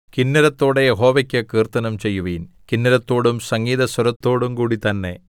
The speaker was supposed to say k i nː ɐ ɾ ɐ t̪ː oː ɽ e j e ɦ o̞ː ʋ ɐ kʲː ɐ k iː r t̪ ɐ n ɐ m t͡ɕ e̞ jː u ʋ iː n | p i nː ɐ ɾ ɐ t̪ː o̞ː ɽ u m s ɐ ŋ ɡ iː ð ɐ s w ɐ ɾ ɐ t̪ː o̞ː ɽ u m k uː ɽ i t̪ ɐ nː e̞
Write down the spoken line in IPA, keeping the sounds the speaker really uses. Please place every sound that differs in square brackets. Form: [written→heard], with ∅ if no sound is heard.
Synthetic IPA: k i nː ɐ ɾ ɐ t̪ː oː ɽ e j e ɦ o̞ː ʋ ɐ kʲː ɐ k iː r t̪ ɐ n ɐ m t͡ɕ e̞ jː u ʋ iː n | [p→k] i nː ɐ ɾ ɐ t̪ː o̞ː ɽ u m s ɐ ŋ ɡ iː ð ɐ s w ɐ ɾ ɐ t̪ː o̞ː ɽ u m k uː ɽ i t̪ ɐ nː e̞